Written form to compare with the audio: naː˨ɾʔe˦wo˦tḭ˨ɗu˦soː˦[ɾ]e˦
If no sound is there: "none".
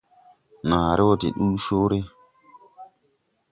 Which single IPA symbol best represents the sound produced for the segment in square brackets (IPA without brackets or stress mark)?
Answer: ɾ